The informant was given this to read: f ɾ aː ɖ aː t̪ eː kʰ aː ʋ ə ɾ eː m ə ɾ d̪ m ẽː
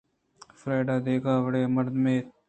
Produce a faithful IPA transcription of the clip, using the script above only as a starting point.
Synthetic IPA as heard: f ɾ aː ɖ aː d̪ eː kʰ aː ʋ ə ɽ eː m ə ɾ d̪ m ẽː